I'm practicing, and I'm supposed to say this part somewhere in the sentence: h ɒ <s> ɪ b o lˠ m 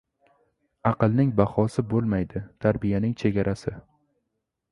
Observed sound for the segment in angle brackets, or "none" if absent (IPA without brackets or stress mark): s